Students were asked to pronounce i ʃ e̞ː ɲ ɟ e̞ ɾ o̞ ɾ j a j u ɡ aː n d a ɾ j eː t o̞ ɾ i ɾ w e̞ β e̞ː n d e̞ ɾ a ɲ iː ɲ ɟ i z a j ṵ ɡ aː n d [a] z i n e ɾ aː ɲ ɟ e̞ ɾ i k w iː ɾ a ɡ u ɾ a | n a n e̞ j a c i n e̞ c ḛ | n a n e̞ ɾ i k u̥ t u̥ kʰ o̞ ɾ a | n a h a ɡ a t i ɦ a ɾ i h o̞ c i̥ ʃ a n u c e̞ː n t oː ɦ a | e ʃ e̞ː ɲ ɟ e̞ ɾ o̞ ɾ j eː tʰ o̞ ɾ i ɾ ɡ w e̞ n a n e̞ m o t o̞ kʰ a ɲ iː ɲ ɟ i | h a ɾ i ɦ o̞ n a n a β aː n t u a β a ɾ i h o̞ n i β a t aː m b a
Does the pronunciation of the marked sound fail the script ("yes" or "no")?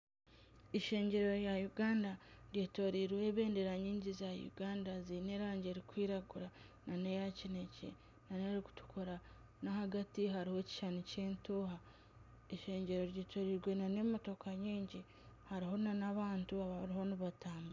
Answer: no